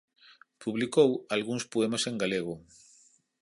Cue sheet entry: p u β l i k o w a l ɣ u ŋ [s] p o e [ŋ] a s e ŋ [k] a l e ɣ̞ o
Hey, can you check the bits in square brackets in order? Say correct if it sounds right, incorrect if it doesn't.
correct, incorrect: m, incorrect: ɡ

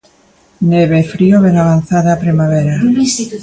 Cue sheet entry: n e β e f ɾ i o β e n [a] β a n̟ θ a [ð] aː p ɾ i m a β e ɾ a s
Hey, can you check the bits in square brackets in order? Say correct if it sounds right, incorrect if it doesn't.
correct, correct

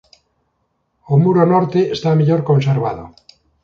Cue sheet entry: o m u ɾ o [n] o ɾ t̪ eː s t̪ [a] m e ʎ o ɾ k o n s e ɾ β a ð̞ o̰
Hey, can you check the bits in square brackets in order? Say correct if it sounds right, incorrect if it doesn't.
correct, correct

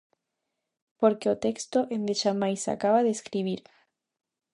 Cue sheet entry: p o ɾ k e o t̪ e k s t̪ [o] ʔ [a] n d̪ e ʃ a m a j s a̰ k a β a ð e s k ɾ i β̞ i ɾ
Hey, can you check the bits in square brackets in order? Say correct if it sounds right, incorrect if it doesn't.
correct, incorrect: e

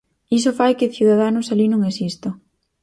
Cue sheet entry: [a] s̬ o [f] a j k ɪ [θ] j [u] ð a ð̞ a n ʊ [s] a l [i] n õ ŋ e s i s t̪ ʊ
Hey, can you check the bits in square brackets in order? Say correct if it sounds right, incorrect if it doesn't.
incorrect: i, correct, correct, correct, correct, correct

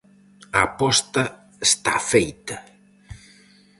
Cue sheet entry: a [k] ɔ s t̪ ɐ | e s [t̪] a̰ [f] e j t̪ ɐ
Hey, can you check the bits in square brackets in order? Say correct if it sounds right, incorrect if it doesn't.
incorrect: p, correct, correct

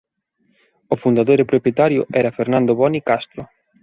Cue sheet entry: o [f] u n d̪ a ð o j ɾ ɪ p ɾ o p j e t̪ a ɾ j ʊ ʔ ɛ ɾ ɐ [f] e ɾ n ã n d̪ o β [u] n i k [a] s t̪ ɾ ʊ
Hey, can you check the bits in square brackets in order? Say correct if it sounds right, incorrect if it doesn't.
correct, correct, incorrect: ɔ, correct

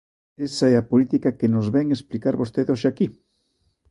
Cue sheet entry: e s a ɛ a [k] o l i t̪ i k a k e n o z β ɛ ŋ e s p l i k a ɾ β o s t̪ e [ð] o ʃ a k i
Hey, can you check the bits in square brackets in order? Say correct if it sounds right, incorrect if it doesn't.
incorrect: p, correct

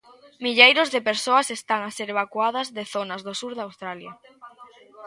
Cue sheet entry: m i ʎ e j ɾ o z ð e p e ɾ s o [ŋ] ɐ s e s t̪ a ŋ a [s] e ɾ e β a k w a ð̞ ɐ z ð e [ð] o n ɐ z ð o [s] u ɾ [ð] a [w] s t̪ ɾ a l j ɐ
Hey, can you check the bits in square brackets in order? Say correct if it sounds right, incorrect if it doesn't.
incorrect: none, correct, incorrect: θ, correct, correct, correct

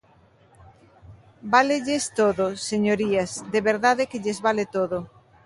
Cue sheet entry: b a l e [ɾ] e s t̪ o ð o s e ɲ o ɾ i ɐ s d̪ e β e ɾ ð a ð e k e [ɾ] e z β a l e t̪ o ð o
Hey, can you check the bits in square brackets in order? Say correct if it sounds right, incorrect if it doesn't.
incorrect: ʎ, incorrect: ʎ

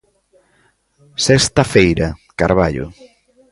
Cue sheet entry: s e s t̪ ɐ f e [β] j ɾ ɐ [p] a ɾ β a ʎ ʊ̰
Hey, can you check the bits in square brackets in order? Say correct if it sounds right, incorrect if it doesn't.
incorrect: none, incorrect: k

